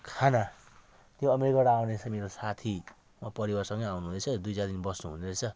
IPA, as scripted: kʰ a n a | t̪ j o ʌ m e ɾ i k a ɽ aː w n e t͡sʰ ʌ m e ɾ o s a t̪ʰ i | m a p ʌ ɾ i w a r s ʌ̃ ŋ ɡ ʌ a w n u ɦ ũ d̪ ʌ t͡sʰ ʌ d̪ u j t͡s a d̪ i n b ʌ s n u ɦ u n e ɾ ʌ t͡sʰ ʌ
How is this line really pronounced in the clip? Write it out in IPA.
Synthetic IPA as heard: kʰ a n a | t̪ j o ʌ m e ɾ i k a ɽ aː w n e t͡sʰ ʌ m e ɾ o s a t̪ʰ i | m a p ʌ ɾ i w a r s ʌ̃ ŋ ɡ ʌ a w n u ɦ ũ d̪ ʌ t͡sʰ ʌ d̪ u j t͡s a d̪ i n b ʌ s n u ɦ u n e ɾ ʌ t͡sʰ ʌ